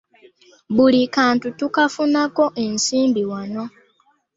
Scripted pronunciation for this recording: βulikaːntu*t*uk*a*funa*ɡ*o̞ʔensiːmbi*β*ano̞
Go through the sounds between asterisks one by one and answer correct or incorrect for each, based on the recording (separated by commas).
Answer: correct, correct, incorrect, incorrect